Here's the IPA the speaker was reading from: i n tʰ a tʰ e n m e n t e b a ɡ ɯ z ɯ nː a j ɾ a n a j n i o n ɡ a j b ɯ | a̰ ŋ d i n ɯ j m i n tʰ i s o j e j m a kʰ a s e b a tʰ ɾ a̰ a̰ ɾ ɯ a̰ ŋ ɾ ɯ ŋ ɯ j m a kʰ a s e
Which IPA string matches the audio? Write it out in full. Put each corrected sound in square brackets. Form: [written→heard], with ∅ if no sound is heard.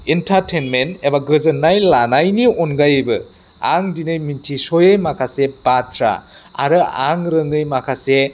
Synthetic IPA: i n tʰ a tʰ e n m e n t e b a ɡ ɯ z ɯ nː a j [ɾ→l] a n a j n i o n ɡ a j b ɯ | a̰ ŋ d i n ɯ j m i n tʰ i s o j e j m a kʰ a s e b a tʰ ɾ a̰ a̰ ɾ ɯ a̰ ŋ ɾ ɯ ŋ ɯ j m a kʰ a s e